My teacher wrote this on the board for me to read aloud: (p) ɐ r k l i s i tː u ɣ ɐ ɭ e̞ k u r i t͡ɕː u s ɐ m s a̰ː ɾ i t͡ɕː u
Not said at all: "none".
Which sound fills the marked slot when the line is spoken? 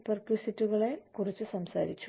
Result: p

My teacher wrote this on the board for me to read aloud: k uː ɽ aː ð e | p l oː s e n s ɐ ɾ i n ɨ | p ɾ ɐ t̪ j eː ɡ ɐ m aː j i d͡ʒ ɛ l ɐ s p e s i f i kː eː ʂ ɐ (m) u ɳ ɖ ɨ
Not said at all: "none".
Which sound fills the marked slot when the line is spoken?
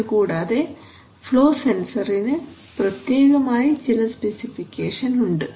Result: n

